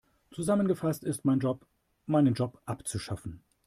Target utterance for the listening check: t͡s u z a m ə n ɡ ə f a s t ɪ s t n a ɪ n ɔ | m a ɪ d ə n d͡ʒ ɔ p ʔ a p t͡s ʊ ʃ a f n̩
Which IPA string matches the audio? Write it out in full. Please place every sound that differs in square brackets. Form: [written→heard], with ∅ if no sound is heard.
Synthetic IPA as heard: t͡s u z a m ə n ɡ ə f a s t ɪ s t [n→m] a ɪ n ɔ | m a ɪ [d→n] ə n d͡ʒ ɔ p ʔ a p t͡s [ʊ→u] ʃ a f n̩